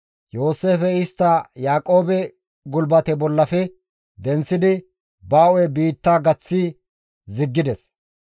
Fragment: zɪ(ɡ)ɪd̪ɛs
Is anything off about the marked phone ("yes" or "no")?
yes